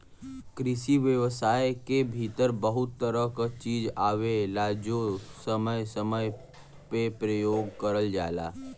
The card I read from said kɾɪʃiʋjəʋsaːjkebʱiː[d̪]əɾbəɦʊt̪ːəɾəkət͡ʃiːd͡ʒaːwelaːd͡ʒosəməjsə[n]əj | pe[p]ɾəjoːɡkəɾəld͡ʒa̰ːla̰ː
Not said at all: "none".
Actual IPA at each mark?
t̪, m, p

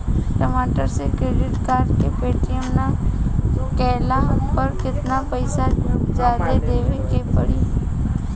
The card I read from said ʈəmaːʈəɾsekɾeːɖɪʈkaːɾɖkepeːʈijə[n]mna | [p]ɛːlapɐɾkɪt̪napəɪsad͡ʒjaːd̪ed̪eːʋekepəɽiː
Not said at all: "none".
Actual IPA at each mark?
none, k

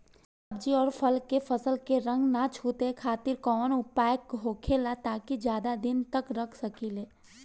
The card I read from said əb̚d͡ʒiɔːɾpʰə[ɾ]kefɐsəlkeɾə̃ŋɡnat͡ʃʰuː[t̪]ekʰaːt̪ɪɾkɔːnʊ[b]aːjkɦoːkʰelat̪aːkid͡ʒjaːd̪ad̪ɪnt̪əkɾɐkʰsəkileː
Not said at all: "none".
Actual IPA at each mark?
l, t̪, p

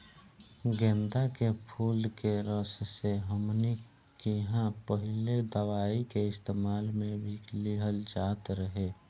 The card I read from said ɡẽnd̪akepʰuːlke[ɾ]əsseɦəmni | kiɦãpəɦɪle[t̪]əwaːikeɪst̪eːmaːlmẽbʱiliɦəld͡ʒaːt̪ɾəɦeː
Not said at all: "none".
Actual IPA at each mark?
ɾ, d̪

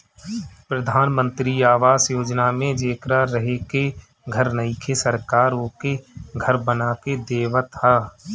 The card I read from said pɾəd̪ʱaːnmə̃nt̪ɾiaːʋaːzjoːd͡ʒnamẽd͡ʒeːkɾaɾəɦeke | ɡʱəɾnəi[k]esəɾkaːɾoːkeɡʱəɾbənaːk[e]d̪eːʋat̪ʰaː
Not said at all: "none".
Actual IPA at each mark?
kʰ, e

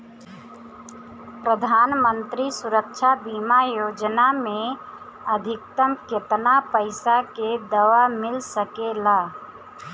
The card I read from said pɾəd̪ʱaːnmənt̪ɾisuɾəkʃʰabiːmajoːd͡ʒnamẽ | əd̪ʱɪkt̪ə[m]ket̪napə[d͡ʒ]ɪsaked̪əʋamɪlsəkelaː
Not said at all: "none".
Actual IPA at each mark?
m, none

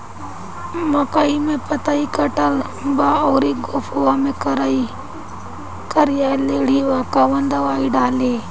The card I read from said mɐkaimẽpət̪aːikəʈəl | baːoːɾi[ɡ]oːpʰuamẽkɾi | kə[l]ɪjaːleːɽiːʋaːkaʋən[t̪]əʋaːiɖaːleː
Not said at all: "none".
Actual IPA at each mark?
ɡ, ɾ, d̪

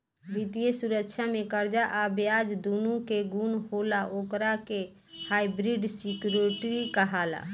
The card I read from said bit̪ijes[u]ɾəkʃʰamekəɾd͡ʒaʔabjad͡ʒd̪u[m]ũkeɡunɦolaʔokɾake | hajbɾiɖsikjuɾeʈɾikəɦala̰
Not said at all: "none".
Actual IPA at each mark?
u, n

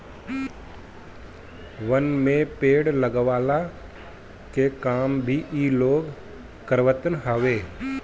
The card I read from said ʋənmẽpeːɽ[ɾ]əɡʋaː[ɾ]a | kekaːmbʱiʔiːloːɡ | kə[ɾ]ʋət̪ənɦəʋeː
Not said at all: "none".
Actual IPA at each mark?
l, l, ɾ

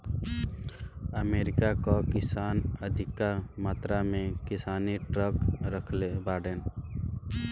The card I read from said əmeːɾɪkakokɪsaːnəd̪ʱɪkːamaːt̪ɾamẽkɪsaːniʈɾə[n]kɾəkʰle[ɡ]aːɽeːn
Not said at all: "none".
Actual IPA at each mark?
none, b

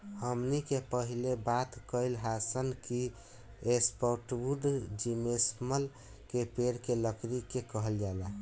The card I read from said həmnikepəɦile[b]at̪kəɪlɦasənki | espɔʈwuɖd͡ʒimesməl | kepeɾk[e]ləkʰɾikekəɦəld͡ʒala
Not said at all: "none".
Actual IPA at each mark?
b, e

